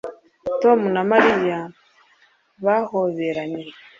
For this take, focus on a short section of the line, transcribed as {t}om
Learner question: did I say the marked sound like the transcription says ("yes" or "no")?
yes